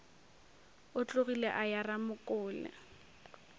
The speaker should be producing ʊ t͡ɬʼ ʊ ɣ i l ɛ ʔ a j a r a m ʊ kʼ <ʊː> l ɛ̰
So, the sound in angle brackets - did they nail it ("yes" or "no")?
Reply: yes